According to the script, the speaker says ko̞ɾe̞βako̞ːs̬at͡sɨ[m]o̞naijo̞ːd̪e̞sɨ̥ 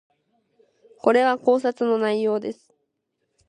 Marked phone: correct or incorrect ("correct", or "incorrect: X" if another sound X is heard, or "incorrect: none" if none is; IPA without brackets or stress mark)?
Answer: incorrect: n